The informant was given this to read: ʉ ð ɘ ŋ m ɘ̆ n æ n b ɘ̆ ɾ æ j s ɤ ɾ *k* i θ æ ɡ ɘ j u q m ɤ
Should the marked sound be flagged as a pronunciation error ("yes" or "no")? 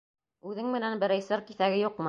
no